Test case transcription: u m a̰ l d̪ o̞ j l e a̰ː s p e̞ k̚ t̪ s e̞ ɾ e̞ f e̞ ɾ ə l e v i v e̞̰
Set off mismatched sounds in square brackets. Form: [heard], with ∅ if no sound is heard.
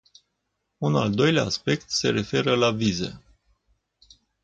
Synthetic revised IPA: u [n] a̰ l d̪ o̞ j l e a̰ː s p e̞ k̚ t̪ s e̞ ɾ e̞ f e̞ ɾ ə l [a] v i [z] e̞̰